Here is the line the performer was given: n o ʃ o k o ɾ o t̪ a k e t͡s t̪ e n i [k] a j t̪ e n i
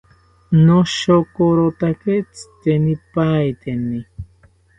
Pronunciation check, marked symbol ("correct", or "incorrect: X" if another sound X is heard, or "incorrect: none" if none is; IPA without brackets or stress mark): incorrect: p